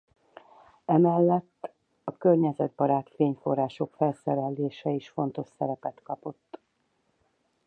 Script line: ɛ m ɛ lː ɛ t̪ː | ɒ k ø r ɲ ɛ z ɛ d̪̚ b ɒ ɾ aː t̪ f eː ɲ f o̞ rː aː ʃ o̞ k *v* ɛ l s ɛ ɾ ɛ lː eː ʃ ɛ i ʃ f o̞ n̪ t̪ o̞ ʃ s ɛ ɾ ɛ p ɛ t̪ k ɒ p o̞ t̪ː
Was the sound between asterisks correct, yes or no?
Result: no